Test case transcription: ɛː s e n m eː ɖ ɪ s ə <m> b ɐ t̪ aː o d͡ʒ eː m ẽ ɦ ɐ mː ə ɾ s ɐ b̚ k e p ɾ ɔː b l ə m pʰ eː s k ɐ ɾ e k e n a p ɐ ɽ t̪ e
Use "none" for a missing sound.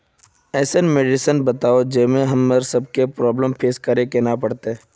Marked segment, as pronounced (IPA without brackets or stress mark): n